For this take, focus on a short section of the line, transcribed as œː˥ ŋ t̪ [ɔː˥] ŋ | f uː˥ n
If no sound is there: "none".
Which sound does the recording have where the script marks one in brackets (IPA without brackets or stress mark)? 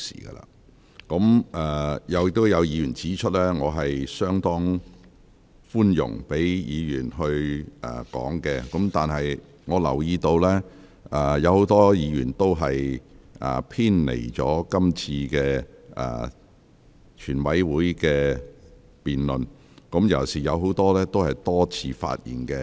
ɔː˥